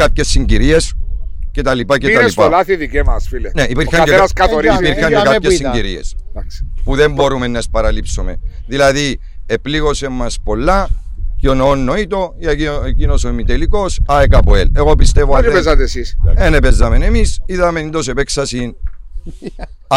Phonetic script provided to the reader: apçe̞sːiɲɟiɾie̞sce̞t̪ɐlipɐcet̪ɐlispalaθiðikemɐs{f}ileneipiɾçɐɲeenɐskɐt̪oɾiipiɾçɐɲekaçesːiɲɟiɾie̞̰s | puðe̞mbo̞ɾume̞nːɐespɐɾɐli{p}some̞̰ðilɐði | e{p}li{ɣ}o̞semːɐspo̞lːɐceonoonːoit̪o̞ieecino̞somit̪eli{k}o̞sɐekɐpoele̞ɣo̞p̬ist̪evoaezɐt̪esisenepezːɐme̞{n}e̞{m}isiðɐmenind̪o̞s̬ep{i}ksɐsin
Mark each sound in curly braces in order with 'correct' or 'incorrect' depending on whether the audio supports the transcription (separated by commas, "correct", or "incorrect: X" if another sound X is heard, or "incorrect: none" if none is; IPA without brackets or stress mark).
correct, correct, correct, correct, correct, correct, correct, incorrect: e